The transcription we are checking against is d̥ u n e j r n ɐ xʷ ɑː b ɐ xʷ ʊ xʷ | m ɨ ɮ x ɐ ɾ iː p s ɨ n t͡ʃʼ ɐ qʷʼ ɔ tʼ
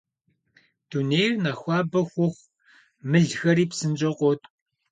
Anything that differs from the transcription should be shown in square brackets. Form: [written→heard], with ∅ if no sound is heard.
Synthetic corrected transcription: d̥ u n e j r n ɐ xʷ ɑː b ɐ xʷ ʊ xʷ | m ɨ ɮ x ɐ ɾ iː p s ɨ n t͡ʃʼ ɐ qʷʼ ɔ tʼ